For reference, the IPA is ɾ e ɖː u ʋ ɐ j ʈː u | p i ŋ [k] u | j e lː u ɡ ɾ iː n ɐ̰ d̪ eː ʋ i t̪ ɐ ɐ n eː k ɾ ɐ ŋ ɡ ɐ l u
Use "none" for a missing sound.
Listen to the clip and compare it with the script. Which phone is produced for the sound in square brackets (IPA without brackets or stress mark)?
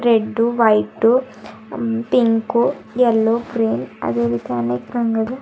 k